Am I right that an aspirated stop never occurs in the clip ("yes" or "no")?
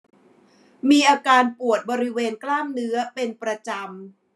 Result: yes